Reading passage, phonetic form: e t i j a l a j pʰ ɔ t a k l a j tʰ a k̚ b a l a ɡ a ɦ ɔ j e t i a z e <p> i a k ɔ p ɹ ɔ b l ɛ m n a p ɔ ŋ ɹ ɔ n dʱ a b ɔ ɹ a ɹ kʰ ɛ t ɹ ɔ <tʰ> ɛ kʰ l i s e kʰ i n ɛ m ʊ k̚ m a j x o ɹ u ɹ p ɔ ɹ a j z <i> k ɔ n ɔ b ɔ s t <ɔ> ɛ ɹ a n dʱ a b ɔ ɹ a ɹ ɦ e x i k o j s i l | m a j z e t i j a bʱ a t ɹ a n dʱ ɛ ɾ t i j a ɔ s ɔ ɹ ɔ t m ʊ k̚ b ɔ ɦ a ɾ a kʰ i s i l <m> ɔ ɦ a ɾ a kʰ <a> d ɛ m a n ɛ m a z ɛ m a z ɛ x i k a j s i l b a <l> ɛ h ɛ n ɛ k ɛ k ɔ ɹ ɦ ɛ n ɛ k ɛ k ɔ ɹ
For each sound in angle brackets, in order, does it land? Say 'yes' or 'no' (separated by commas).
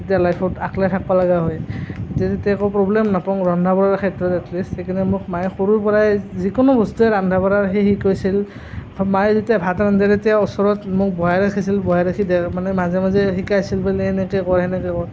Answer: no, no, yes, no, no, no, yes